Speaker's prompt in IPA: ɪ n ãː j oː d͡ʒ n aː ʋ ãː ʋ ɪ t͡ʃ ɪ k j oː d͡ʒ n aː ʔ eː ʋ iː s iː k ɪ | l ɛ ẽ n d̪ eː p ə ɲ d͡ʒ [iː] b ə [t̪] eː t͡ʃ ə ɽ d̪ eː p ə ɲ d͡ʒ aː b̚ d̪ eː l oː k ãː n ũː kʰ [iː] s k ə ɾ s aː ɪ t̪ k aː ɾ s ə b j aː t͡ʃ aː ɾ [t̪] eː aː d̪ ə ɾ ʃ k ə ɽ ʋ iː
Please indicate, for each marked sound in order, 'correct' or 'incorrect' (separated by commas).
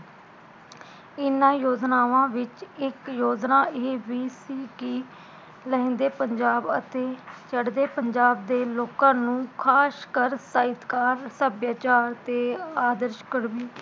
incorrect, correct, incorrect, correct